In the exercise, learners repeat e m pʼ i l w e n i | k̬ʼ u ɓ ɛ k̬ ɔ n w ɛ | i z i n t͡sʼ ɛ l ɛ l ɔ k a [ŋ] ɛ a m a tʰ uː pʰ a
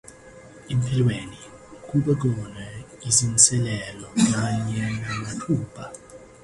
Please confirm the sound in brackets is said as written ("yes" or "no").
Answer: no